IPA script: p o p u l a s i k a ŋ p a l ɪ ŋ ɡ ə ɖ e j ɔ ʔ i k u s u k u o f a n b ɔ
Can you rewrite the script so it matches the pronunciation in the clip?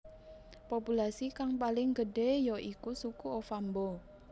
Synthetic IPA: p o p u l a s i k a ŋ p a l ɪ ŋ ɡ ə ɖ e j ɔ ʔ i k u s u k u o f a m b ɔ